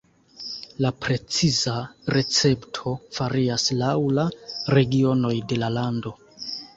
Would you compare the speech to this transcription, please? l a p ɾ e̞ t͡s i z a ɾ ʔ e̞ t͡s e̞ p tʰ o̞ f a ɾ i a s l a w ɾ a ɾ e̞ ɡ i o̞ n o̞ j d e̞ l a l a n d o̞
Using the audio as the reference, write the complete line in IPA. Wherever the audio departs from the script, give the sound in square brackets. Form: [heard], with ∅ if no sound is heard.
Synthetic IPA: l a p ɾ e̞ t͡s i z a ɾ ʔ e̞ t͡s e̞ p tʰ o̞ f a ɾ i a s l a w [l] a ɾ e̞ ɡ i o̞ n o̞ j d e̞ l a l a n d o̞